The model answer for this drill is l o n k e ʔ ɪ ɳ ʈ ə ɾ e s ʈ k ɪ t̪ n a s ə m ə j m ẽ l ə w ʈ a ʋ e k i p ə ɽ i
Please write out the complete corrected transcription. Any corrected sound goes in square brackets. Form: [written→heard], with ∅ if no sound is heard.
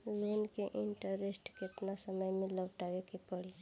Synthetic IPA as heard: l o n k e ʔ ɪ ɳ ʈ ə ɾ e s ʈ k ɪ t̪ n a s ə m ə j m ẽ l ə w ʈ a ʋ e k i p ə ɽ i